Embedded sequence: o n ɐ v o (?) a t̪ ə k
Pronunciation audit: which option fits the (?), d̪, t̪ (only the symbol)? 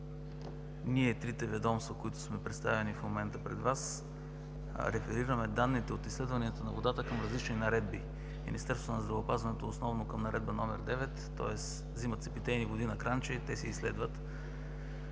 d̪